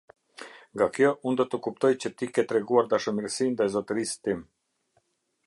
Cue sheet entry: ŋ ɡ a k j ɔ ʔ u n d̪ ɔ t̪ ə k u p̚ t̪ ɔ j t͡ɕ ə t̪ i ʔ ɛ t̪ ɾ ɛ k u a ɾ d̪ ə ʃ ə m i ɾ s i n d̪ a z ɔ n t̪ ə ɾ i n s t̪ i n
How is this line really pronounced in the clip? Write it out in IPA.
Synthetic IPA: ŋ ɡ a k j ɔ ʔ u n d̪ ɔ t̪ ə k u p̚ t̪ ɔ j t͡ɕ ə t̪ i k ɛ t̪ ɾ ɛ ɡ u a ɾ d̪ a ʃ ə m i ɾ s i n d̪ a z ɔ t̪ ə ɾ i s t̪ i m